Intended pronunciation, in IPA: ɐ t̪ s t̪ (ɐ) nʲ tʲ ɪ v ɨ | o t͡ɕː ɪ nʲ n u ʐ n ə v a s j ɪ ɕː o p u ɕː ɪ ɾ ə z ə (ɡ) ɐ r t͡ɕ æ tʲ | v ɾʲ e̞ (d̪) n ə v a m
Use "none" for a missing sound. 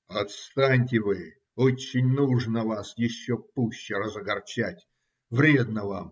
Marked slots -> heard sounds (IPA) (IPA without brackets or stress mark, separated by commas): a, ɡ, d̪